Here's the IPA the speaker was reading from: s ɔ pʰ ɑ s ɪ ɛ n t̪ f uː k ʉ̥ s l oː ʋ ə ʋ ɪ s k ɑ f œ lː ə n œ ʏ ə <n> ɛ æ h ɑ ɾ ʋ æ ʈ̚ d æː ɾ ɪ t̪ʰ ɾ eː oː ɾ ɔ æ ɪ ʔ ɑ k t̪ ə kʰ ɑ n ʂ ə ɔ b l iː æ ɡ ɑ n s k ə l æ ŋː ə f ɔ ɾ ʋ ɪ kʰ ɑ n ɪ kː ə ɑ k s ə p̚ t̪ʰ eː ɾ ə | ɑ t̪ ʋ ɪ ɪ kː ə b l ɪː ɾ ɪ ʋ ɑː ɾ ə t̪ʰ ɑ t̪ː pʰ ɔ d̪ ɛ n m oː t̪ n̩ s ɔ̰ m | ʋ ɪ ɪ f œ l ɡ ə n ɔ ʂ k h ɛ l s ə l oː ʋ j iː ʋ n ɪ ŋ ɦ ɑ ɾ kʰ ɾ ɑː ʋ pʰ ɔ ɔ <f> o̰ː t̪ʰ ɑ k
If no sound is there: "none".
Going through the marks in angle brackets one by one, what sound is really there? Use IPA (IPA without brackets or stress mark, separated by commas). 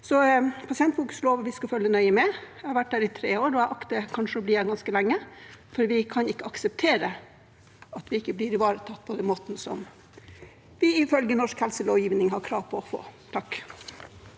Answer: m, f